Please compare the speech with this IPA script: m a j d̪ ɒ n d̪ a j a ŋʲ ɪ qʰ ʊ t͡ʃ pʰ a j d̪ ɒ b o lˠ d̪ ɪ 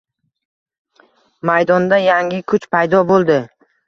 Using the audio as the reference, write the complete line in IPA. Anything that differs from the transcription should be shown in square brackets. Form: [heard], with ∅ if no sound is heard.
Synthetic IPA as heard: m a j d̪ ɒ n d̪ a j a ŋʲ ɪ [kʰ] ʊ t͡ʃ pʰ a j d̪ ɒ b o lˠ d̪ ɪ